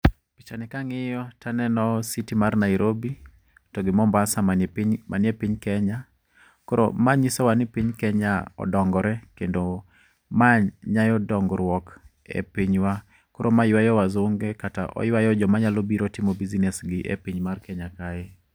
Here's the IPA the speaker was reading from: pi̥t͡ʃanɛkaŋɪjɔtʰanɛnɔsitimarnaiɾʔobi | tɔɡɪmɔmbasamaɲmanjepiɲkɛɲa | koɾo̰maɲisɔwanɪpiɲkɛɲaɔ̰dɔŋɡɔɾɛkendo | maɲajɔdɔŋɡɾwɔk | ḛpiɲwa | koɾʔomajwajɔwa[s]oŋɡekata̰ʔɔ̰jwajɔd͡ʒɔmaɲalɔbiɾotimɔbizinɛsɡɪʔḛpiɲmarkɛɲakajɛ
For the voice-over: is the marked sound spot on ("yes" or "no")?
no